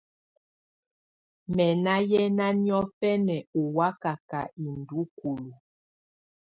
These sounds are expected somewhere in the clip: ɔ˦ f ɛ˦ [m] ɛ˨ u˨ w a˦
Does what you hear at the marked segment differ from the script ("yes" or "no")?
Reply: yes